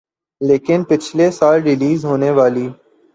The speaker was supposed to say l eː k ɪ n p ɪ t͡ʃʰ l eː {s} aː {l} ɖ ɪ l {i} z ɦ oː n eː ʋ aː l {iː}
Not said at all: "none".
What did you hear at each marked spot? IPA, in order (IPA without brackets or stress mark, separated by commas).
s, l, iː, iː